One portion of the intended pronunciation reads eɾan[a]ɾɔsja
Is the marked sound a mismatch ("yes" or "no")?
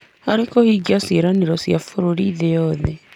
yes